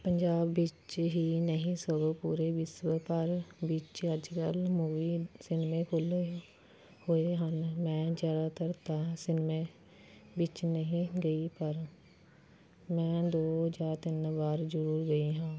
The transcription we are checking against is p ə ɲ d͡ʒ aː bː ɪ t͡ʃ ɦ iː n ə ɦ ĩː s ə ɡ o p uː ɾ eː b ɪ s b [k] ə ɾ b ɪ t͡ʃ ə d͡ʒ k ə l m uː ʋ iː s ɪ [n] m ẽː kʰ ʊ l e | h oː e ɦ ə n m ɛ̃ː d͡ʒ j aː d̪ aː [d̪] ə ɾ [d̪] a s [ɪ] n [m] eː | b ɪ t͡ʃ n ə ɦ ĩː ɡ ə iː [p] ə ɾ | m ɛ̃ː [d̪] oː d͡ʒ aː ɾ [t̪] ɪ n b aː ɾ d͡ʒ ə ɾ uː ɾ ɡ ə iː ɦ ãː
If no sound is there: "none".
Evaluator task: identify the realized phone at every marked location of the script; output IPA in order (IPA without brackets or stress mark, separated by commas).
p, n, t̪, t̪, ɪ, m, p, d̪, t̪